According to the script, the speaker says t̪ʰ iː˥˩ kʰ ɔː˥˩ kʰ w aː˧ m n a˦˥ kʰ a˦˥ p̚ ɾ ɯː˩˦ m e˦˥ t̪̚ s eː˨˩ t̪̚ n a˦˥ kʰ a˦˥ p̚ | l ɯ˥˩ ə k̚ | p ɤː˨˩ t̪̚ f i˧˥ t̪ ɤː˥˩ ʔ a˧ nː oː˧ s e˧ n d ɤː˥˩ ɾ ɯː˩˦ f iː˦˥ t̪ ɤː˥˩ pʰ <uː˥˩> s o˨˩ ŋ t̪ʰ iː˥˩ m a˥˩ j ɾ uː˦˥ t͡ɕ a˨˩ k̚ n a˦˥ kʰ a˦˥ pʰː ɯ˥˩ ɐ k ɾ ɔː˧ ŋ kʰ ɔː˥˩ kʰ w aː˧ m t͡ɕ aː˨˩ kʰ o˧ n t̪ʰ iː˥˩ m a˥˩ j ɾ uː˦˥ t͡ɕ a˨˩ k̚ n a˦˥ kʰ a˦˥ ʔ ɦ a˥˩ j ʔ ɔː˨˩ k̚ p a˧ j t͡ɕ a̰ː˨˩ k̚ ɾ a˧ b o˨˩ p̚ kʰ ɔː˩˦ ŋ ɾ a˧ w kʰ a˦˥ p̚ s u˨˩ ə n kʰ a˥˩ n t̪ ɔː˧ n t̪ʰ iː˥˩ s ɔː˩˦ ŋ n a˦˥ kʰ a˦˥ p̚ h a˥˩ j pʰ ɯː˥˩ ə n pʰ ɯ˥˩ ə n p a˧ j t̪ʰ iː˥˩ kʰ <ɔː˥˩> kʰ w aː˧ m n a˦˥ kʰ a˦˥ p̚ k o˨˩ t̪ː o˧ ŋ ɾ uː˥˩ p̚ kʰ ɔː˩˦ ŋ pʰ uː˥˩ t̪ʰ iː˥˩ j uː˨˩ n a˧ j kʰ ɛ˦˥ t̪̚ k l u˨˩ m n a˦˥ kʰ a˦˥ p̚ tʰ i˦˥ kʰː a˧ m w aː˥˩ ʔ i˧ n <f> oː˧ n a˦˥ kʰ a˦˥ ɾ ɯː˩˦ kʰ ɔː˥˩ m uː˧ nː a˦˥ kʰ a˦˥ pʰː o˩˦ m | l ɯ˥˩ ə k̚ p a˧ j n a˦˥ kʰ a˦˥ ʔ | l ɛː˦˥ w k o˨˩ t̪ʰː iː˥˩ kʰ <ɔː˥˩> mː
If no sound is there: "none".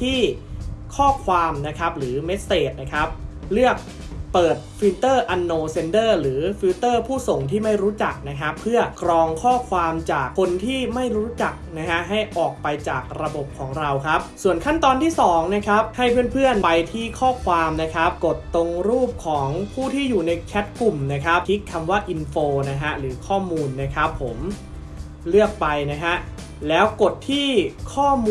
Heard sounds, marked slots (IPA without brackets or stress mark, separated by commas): uː˥˩, ɔː˥˩, f, ɔː˥˩